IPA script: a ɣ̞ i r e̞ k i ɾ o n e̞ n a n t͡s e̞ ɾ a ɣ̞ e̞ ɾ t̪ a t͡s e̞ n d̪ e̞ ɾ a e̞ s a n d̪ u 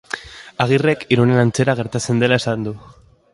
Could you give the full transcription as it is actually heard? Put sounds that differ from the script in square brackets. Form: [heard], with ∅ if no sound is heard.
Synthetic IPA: a ɣ̞ i r e̞ k i ɾ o n e̞ n a n t͡s e̞ ɾ a ɣ̞ e̞ ɾ t̪ a t͡s e̞ n d̪ e̞ [l] a e̞ s a n d̪ u